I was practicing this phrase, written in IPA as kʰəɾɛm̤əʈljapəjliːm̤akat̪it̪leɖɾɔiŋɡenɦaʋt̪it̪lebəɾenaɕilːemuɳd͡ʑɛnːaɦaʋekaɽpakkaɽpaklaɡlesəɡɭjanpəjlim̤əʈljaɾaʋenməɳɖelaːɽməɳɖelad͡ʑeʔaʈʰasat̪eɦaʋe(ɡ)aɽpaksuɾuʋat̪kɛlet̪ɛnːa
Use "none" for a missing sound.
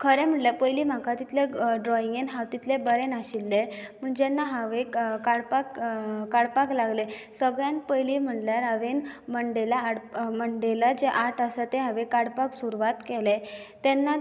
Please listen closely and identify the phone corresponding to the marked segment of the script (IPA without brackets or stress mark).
k